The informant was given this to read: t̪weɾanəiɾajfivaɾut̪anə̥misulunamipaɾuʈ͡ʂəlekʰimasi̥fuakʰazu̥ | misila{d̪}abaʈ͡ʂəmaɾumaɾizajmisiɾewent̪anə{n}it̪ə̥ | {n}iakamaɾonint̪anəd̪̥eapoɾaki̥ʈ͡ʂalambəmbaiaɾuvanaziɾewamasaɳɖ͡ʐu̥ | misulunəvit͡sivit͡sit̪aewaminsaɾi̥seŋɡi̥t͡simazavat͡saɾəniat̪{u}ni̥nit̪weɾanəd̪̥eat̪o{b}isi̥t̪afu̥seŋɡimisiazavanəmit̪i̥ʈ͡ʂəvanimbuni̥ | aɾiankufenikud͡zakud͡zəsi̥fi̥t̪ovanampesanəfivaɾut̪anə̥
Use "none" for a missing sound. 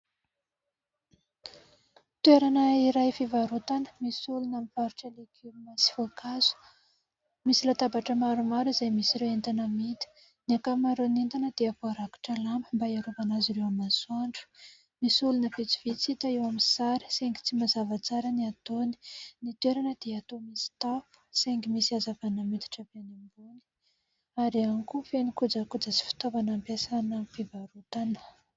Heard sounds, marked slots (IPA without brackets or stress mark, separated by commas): t̪, m, n, o, m